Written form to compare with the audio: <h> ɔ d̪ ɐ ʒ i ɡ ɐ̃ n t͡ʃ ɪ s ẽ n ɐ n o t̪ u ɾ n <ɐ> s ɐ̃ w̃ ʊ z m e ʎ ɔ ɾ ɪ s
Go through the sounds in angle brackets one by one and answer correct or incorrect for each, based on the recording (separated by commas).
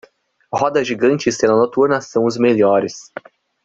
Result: correct, correct